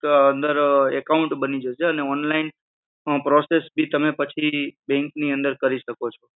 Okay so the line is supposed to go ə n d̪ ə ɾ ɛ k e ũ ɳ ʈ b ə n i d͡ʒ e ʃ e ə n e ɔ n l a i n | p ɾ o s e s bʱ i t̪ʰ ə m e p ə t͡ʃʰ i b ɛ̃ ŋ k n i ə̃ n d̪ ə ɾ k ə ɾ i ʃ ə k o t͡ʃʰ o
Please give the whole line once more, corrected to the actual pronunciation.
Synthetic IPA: ə n d̪ ə ɾ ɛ k a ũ ɳ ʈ b ə n i d͡ʒ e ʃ e ə n e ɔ n l a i n | p ɾ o s e s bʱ i t̪ ə m e p ə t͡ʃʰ i b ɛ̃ ŋ k n i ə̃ n d̪ ə ɾ k ə ɾ i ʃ ə k o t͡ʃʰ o

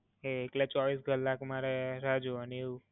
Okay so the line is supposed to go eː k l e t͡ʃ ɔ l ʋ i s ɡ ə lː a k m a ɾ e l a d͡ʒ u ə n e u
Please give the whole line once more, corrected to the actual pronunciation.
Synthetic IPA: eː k l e t͡ʃ ɔ ʋ i s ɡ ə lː a k m a ɾ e ɾ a d͡ʒ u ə n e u

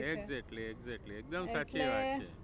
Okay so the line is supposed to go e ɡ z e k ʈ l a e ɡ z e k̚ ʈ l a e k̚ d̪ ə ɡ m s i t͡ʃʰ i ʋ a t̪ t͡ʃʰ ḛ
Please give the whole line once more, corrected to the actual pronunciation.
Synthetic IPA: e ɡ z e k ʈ l i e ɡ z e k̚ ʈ l i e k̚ d̪ ə m s a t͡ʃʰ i ʋ a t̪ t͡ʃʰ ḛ

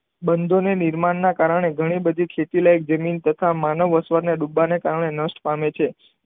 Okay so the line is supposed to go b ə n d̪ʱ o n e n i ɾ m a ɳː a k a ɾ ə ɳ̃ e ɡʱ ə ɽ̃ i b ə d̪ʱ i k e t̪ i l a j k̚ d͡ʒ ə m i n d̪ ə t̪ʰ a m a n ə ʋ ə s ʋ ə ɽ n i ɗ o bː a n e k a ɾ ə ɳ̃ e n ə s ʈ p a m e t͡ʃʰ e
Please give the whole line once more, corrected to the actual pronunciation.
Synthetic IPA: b ə n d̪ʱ o n e n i ɾ m a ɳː a k a ɾ ə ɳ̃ e ɡʱ ə ɽ̃ i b ə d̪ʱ i kʰ e t̪ i l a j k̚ d͡ʒ ə m i n t̪ ə t̪ʰ a m a n ə ʋ ə s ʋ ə ɾ n e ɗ u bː a n e k a ɾ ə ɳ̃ e n ə s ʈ p a m e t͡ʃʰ e

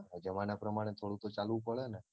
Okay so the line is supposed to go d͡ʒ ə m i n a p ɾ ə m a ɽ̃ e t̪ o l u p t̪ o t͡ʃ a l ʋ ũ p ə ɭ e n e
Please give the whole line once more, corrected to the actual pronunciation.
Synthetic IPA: d͡ʒ ə m a n a p ɾ ə m a ɽ̃ e t̪ʰ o ɽ u t̪ o t͡ʃ a l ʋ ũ p ə ɭ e n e

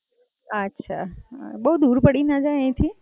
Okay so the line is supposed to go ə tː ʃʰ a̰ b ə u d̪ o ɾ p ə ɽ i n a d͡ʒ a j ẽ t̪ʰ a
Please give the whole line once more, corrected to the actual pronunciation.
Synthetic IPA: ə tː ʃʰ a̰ b ə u d̪ u ɾ p ə ɽ i n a d͡ʒ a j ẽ t̪ʰ i

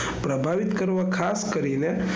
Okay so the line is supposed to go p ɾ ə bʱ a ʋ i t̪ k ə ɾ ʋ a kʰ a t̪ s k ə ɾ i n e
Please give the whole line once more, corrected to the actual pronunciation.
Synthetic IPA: p ɾ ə bʱ a ʋ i t̪ k ə ɾ ʋ a kʰ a s k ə ɾ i n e

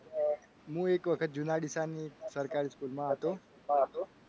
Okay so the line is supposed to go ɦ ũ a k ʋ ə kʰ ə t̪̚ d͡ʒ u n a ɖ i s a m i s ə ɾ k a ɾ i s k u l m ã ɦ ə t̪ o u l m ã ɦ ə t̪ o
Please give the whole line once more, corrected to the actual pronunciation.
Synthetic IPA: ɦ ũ e k ʋ ə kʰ ə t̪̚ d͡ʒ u n a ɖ i s a n i s ə ɾ k a ɾ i s k u l m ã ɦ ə t̪ o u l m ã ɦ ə t̪ o

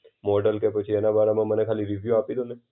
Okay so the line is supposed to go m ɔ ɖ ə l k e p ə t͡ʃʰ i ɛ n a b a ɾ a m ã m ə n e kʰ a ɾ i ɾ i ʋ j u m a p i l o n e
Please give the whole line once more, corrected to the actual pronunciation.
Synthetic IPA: m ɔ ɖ ə l k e p ə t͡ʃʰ i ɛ n a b a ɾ a m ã m ə n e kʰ a l i ɾ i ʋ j u a p i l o n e

